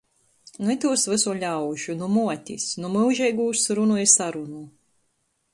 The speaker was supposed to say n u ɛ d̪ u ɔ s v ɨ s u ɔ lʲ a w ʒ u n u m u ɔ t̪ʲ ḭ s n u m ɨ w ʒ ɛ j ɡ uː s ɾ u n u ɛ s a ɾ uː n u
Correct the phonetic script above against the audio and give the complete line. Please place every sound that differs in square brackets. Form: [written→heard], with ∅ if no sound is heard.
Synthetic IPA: n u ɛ [d̪→t̪] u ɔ s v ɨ s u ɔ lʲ a w ʒ u n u m u ɔ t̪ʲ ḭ s n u m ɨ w ʒ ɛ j ɡ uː s ɾ u n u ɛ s a ɾ [uː→u] n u